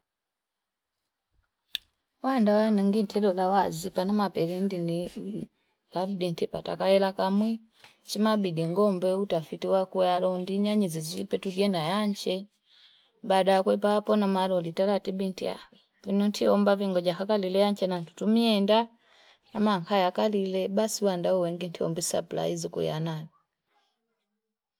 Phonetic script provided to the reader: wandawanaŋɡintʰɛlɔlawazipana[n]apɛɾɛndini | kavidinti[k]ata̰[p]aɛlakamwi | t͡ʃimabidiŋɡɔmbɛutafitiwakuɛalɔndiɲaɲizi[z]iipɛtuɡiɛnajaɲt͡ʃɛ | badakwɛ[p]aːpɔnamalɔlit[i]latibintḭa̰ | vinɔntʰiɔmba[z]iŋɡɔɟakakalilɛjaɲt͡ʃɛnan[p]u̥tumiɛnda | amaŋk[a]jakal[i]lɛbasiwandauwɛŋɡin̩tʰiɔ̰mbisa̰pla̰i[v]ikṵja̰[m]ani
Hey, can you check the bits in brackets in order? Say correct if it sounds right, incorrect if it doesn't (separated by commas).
incorrect, incorrect, incorrect, correct, correct, incorrect, incorrect, incorrect, correct, correct, incorrect, incorrect